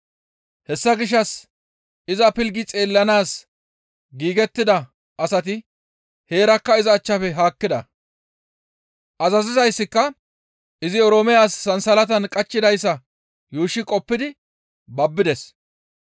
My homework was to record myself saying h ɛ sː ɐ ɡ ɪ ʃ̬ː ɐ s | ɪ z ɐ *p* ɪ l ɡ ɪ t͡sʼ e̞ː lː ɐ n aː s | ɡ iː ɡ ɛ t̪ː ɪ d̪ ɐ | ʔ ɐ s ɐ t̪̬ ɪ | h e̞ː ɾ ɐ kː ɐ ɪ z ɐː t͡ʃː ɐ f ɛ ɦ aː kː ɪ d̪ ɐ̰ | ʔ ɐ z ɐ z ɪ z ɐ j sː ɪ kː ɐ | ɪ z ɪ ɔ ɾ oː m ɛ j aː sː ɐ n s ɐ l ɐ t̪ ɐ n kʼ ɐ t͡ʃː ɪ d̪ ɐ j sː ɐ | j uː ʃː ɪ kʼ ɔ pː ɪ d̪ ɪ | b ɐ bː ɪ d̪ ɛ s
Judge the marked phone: correct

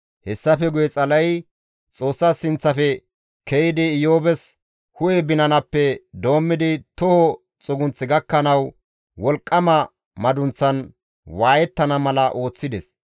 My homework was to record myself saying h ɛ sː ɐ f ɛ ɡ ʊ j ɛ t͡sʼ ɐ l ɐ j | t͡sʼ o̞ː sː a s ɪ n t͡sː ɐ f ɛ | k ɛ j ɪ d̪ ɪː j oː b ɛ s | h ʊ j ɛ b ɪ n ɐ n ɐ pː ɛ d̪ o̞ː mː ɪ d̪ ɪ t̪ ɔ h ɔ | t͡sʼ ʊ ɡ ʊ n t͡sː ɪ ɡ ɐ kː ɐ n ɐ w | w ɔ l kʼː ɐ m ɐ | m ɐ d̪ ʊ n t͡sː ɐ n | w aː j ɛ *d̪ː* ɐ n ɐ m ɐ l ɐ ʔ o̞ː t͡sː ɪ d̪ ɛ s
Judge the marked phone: incorrect: t̪ː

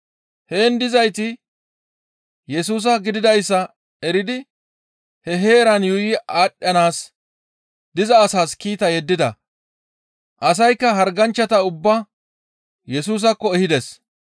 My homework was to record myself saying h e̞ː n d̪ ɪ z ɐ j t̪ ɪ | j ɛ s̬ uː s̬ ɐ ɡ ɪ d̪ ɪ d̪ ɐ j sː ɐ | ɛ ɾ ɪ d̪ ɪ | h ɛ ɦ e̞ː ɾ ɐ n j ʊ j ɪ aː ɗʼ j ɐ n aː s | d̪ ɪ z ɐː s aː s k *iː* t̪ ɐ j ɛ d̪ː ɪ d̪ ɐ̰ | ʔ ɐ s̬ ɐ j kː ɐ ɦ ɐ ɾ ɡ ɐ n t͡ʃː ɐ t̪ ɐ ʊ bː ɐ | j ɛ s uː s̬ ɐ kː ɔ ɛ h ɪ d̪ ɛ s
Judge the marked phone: correct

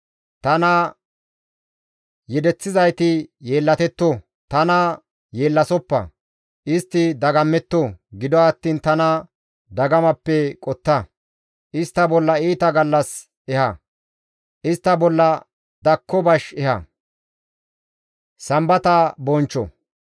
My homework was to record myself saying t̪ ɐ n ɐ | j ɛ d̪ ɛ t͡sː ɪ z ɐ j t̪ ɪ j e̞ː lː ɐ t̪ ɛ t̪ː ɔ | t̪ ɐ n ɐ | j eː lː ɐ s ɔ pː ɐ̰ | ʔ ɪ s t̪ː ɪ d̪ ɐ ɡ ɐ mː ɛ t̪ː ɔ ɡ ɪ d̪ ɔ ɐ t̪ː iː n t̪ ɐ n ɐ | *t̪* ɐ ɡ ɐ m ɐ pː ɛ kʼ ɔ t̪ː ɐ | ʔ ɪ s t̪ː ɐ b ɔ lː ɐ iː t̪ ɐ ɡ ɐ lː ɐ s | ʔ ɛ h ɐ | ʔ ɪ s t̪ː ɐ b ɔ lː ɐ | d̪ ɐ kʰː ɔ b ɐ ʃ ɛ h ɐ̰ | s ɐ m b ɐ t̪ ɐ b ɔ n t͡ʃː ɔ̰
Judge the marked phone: incorrect: d̪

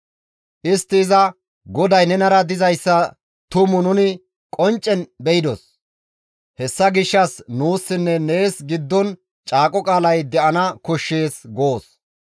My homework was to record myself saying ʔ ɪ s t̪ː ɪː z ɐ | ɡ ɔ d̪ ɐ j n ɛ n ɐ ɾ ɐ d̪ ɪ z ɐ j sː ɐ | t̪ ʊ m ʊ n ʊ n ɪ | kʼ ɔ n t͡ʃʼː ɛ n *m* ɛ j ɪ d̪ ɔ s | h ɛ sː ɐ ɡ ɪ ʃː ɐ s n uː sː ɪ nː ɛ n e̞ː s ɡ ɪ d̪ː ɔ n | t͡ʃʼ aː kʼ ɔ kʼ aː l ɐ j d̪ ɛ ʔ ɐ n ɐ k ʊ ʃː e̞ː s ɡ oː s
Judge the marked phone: incorrect: b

